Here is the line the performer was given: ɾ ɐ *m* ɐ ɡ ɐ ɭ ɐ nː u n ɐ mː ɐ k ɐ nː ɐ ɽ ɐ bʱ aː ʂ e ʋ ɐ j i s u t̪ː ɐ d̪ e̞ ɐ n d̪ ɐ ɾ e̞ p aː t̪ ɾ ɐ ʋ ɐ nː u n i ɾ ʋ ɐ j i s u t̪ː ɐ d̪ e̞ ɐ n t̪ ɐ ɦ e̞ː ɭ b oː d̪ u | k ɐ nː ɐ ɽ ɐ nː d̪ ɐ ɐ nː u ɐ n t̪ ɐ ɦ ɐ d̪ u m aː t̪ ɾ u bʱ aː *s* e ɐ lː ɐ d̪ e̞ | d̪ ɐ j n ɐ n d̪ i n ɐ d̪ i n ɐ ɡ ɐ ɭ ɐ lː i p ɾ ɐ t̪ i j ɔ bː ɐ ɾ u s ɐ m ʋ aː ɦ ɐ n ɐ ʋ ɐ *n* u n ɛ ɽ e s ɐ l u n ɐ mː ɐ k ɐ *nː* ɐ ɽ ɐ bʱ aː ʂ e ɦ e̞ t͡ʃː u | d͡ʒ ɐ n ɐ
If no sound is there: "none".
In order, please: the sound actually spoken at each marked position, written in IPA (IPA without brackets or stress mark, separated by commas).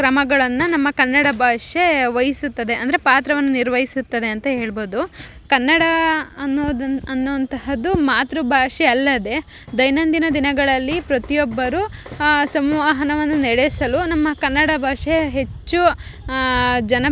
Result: m, ʂ, nː, nː